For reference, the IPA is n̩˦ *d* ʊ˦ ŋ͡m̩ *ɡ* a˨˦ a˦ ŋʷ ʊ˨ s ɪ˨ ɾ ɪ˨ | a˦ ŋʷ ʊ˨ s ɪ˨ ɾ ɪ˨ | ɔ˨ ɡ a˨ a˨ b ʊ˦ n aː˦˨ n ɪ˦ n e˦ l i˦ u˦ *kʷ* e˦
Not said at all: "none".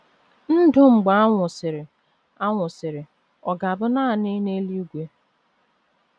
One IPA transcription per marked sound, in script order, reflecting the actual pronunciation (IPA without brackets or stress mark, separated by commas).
d, ɡ͡b, ɡʷ